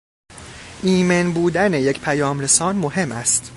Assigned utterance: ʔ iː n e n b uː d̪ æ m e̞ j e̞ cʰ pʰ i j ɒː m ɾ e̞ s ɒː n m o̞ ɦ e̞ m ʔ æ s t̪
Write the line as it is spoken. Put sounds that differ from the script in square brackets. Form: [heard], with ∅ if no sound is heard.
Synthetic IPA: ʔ iː [m] e n b uː d̪ æ [n] e̞ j e̞ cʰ pʰ [æ] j ɒː m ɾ e̞ s ɒː n m o̞ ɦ e̞ m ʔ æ s t̪